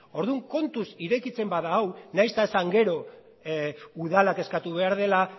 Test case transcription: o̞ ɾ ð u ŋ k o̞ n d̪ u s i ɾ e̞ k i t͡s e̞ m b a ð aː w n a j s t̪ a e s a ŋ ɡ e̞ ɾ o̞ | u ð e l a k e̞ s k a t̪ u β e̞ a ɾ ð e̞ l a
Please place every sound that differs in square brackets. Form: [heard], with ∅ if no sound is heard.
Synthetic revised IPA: o̞ ɾ ð u ŋ k o̞ n [t̪] u s i ɾ e̞ k i t͡s e̞ m b a ð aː w n a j s t̪ a e s a ŋ ɡ e̞ ɾ o̞ | u ð [a] l a k e̞ s k a t̪ u β e̞ a ɾ ð e̞ l a